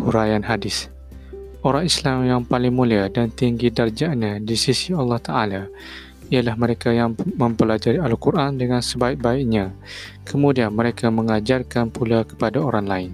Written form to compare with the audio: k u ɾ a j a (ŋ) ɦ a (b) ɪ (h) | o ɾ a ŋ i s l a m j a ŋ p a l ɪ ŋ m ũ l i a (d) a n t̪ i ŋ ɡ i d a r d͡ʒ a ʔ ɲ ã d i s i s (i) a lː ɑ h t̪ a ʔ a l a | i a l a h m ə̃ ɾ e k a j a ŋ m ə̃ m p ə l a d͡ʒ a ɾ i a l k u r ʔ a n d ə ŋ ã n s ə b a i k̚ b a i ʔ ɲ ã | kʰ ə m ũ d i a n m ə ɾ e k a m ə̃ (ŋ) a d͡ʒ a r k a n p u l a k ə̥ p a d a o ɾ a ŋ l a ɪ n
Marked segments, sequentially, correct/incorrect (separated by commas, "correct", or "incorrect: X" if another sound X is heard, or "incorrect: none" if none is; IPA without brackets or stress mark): incorrect: n, incorrect: d, incorrect: s, correct, correct, correct